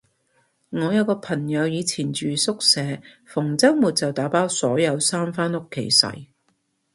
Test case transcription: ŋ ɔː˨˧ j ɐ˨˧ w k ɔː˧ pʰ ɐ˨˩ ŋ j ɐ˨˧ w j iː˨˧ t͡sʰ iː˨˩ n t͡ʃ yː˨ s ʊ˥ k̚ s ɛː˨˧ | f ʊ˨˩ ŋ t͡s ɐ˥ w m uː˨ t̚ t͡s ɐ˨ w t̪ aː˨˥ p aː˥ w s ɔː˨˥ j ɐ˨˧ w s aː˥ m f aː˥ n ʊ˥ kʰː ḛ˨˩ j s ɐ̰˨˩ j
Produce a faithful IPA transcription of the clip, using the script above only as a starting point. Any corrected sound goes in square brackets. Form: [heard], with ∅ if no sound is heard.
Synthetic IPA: ŋ ɔː˨˧ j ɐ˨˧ w k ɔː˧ pʰ ɐ˨˩ ŋ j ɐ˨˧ w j iː˨˧ t͡sʰ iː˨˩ n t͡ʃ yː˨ s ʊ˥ k̚ s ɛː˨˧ | f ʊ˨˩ ŋ t͡s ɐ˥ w m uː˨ t̚ t͡s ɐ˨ w t̪ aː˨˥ p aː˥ w s ɔː˨˥ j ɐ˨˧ w s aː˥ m f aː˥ n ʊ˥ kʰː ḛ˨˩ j s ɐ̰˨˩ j